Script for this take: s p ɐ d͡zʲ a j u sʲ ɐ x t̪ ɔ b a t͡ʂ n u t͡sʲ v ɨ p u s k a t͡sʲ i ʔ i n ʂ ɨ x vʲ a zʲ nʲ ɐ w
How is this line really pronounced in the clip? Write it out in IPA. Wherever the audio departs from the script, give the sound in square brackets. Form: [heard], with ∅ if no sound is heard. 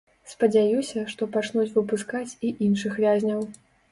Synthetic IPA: s p ɐ d͡zʲ a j u sʲ ɐ [ʂ] t̪ ɔ [p] a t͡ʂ n u t͡sʲ v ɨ p u s k a t͡sʲ i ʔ i n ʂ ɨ x vʲ a zʲ nʲ ɐ w